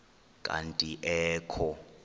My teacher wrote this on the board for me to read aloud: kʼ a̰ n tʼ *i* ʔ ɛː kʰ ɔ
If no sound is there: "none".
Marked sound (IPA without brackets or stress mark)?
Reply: i